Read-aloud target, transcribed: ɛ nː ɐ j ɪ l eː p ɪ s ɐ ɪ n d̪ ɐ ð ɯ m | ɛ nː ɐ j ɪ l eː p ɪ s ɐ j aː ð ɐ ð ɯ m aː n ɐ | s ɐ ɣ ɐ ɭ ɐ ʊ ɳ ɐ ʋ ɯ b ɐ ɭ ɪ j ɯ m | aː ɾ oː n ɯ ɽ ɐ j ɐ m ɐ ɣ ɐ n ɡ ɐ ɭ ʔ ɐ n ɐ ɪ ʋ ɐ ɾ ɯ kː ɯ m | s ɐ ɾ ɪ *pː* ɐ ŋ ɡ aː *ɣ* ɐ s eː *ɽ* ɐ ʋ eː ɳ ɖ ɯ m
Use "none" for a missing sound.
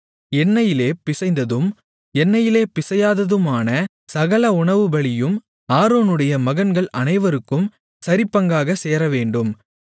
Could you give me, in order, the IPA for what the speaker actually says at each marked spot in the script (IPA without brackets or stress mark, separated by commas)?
pː, ɣ, ɾ